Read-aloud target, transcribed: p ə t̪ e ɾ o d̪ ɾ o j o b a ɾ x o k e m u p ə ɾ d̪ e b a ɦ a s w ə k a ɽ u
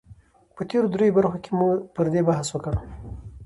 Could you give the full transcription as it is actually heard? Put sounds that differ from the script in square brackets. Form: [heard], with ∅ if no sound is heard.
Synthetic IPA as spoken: p ə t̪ e ɾ o d̪ ɾ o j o b a ɾ x o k e m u p ə ɾ d̪ e b a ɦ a s w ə k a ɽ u